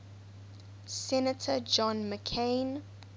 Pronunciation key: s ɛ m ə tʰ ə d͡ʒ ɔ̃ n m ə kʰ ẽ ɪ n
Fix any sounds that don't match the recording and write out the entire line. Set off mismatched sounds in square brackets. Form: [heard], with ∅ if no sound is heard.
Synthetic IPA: s ɛ [n] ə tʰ ə d͡ʒ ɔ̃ n m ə kʰ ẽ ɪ n